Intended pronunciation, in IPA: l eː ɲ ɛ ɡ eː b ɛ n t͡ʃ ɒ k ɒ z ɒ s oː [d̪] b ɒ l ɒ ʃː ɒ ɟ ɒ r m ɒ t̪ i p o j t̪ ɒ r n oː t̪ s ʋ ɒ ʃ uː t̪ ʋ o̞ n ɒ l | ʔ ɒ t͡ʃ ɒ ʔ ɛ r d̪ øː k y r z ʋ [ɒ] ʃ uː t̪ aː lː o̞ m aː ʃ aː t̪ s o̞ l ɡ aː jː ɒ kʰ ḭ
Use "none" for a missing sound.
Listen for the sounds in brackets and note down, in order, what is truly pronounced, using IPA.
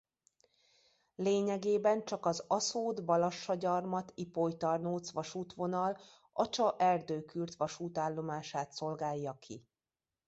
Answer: d̪, ɒ

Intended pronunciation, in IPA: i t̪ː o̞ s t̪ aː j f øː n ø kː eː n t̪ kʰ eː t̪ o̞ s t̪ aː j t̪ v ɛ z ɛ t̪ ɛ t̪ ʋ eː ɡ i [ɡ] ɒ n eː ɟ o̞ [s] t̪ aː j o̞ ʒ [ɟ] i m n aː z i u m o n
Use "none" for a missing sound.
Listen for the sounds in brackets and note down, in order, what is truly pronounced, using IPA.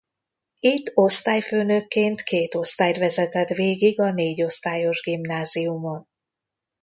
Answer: ɡ, s, ɡ

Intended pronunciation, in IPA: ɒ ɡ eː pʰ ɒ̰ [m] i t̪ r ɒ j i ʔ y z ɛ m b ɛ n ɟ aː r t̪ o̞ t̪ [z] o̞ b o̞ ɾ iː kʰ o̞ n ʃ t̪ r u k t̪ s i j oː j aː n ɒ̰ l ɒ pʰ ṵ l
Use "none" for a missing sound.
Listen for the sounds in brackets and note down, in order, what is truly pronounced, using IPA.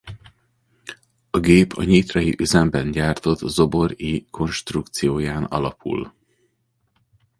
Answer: ɲ, z

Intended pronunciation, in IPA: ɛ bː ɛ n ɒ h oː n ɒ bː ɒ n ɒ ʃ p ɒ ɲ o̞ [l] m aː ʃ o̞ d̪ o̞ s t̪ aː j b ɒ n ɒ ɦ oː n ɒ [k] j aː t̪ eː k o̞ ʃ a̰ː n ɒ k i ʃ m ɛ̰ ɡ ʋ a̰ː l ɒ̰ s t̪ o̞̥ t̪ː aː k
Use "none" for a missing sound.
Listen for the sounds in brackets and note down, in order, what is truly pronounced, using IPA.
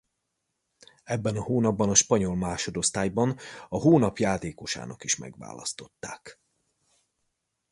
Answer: l, p

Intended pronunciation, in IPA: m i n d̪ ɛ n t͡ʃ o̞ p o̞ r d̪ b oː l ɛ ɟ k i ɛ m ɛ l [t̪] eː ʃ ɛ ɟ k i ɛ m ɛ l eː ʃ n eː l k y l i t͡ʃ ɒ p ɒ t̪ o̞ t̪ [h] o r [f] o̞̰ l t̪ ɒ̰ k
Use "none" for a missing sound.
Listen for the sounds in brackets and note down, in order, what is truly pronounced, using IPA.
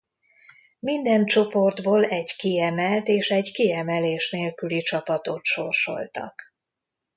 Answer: t̪, ʃ, ʃ

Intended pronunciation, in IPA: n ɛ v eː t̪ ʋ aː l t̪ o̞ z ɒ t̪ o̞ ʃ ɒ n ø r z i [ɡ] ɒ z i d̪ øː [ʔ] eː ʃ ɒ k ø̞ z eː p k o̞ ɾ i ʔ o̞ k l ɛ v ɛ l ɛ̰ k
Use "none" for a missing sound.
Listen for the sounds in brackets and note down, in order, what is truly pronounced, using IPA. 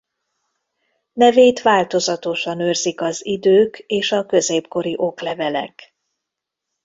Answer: k, k

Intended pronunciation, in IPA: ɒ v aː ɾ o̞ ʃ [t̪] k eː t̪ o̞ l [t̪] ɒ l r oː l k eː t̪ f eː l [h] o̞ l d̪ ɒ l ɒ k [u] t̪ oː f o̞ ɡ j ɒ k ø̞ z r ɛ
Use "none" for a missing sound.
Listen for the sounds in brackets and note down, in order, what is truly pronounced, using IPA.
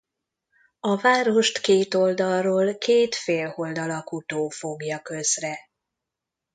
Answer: t̪, d̪, h, u

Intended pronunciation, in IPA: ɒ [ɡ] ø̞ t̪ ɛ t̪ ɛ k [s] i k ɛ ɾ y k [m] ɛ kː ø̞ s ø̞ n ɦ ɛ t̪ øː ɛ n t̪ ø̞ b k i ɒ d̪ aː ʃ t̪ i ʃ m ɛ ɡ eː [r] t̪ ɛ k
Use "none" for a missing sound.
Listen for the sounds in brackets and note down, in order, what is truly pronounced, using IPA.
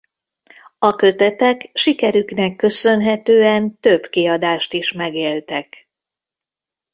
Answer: k, ʃ, n, l

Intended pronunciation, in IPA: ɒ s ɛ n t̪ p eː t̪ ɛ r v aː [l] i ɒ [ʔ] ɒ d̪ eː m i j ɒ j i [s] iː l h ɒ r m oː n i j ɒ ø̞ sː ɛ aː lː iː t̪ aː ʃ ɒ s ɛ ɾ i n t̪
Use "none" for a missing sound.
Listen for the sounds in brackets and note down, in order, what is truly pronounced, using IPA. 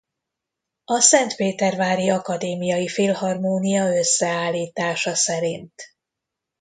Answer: ɾ, k, f

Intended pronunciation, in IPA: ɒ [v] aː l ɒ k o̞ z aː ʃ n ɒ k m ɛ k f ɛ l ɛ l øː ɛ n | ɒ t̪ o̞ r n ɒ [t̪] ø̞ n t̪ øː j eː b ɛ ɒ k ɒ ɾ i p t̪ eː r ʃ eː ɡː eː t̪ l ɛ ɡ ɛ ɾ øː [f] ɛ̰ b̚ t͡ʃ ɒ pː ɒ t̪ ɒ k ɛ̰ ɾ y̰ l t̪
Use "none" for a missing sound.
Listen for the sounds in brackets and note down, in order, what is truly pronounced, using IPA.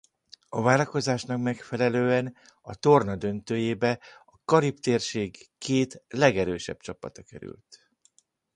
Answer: v, d̪, ʃ

